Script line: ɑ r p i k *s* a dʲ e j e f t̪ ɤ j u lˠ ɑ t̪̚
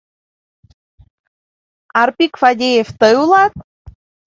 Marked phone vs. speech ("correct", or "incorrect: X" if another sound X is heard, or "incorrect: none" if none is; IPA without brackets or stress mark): incorrect: f